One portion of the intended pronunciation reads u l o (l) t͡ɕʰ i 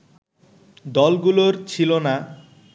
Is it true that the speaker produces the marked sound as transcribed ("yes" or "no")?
no